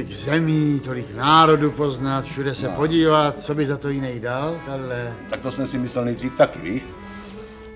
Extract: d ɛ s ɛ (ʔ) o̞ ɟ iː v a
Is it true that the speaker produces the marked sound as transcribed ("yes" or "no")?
no